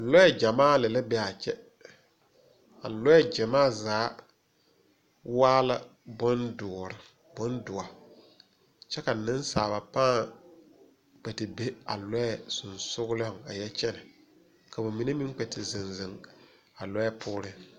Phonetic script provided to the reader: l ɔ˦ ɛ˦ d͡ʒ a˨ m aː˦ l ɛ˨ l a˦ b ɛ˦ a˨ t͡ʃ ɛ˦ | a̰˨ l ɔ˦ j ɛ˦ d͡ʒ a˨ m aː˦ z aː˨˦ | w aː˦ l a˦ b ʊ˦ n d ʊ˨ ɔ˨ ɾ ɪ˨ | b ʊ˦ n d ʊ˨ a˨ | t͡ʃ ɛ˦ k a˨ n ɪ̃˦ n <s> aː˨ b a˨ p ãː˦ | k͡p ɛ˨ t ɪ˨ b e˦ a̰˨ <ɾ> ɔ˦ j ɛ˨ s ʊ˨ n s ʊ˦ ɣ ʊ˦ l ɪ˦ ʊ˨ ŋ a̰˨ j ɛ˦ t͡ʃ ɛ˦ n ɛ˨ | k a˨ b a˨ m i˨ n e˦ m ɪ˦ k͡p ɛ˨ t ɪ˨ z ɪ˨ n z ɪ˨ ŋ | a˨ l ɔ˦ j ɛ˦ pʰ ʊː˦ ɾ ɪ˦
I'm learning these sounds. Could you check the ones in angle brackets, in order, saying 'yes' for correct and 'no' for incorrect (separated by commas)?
yes, no